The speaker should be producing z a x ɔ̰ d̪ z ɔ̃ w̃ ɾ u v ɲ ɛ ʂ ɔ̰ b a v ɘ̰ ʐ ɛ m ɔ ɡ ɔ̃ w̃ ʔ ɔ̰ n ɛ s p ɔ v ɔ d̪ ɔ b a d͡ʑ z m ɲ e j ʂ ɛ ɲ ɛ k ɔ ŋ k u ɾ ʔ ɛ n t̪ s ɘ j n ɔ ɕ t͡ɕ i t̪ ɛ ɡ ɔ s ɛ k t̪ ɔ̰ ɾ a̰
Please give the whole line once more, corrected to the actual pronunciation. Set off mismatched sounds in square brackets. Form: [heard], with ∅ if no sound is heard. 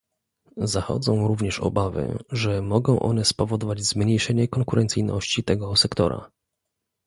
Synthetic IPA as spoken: z a x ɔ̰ d̪ z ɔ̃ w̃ ɾ u v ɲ ɛ ʂ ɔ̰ b a v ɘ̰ ʐ ɛ m ɔ ɡ ɔ̃ w̃ ʔ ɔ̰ n ɛ s p ɔ v ɔ d̪ ɔ [v] a d͡ʑ z m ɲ e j ʂ ɛ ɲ ɛ k ɔ ŋ k u ɾ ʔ ɛ n t̪ s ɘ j n ɔ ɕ t͡ɕ i t̪ ɛ ɡ ɔ s ɛ k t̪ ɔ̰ ɾ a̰